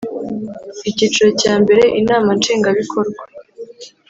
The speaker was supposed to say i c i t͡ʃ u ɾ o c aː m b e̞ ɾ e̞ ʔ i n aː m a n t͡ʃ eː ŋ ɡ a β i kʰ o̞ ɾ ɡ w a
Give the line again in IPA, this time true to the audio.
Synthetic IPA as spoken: i c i t͡ʃ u ɾ o c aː m b e̞ ɾ e̞ ʔ i n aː m a n t͡ʃ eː ŋ ɡ a β i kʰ o̞ ɾ ɡ w a